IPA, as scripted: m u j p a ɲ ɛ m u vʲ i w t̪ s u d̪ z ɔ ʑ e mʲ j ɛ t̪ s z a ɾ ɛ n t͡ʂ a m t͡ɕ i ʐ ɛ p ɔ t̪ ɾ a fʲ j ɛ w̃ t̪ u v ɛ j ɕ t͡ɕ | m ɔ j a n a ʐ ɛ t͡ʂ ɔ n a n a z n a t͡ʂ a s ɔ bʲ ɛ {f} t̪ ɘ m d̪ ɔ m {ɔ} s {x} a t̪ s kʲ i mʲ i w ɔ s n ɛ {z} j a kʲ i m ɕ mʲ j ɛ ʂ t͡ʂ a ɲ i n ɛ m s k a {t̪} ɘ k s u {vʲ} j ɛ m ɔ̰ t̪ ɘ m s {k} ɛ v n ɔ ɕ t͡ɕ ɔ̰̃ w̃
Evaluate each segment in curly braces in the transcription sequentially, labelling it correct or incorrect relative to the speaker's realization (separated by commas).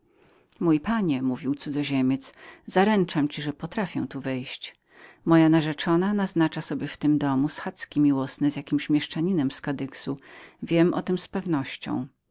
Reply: correct, incorrect, correct, correct, incorrect, correct, incorrect